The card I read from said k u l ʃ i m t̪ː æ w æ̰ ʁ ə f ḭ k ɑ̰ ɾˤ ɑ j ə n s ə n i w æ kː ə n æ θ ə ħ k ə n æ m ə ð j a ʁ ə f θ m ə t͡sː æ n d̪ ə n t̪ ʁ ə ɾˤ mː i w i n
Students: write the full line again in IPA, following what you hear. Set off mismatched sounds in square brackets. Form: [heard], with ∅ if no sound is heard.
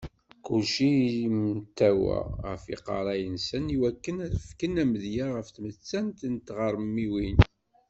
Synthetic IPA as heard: k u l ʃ i m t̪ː æ w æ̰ ʁ ə f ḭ [q] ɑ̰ ɾˤ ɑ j ə n s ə n i w æ kː ə n æ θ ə [f] k ə n æ m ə ð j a ʁ ə f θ m ə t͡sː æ n [t̪] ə n t̪ ʁ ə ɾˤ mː i w i n